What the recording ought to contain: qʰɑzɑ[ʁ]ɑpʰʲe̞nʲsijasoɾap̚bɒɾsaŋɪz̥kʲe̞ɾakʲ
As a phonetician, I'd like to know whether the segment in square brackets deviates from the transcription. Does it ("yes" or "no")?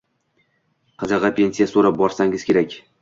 no